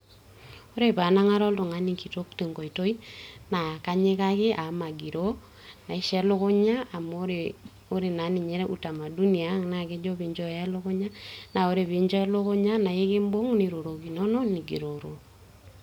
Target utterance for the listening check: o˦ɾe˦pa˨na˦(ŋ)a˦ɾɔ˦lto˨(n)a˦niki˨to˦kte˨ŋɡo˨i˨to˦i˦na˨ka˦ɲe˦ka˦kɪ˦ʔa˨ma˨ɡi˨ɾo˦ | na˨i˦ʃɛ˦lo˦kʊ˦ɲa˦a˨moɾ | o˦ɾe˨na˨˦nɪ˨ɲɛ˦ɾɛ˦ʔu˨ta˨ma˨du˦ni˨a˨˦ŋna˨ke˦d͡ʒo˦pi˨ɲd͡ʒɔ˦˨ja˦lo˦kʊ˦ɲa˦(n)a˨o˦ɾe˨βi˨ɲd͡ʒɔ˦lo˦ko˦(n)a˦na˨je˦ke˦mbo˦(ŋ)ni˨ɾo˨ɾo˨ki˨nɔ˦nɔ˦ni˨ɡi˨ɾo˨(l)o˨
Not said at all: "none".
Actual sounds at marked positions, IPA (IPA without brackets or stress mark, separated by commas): ŋ, ŋ, n, ɲ, ŋ, ɾ